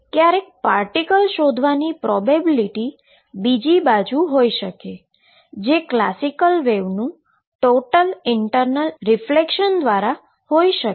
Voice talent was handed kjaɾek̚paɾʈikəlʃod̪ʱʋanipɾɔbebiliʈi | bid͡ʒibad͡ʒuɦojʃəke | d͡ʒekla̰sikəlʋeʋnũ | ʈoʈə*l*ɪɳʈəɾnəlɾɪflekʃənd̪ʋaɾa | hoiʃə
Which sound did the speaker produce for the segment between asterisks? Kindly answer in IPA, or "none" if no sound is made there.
l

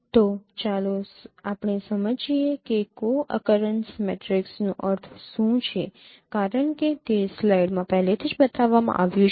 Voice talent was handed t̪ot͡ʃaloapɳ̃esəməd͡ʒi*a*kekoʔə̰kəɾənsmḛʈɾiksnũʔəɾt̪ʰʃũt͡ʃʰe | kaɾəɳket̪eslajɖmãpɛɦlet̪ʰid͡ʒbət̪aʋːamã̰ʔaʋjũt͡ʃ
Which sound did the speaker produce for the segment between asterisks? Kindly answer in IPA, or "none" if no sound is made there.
e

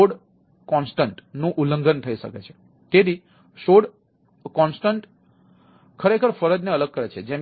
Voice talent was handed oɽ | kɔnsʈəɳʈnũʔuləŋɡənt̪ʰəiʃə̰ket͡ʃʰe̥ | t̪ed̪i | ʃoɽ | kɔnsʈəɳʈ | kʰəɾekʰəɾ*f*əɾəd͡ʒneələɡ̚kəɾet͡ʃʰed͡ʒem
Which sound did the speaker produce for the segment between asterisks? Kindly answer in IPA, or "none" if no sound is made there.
f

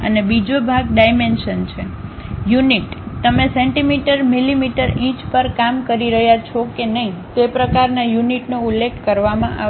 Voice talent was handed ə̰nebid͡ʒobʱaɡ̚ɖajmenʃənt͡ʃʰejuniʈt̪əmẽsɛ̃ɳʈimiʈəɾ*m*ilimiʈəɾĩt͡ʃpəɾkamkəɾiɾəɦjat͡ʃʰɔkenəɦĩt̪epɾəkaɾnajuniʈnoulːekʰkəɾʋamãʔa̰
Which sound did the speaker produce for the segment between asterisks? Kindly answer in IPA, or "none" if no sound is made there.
m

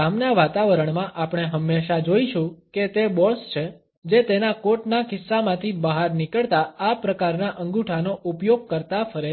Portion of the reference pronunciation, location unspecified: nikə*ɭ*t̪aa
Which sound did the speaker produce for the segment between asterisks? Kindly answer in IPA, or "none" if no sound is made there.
ɭ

